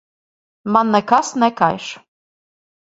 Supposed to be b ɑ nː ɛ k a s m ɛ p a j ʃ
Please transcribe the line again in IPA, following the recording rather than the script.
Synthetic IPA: m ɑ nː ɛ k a s n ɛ k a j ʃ